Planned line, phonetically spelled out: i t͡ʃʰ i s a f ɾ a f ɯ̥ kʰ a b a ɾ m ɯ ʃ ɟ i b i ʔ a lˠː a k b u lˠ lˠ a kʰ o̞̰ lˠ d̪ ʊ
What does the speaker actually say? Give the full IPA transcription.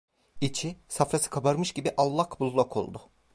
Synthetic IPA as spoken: i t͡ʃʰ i s a f ɾ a s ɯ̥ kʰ a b a ɾ m ɯ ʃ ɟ i b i ʔ a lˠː a k b u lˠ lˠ a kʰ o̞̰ lˠ d̪ ʊ